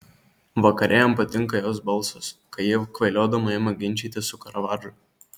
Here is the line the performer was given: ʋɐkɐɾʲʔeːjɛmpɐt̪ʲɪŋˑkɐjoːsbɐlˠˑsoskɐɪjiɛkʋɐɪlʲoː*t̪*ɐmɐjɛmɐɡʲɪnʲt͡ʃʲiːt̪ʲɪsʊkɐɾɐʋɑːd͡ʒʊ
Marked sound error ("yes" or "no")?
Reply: yes